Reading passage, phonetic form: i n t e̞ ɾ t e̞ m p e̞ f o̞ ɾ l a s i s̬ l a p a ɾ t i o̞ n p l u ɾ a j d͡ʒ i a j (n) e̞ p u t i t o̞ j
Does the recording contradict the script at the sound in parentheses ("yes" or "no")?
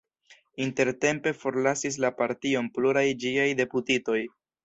yes